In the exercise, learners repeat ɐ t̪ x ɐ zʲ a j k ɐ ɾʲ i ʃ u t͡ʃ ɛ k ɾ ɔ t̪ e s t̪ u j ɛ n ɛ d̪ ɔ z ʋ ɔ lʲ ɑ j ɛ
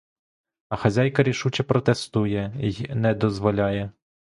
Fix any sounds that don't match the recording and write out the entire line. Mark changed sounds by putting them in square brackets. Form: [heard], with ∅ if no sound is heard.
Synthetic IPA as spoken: ɐ [∅] x ɐ zʲ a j k ɐ ɾʲ i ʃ u t͡ʃ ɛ [p] ɾ ɔ t̪ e s t̪ u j ɛ n ɛ d̪ ɔ z ʋ ɔ lʲ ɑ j ɛ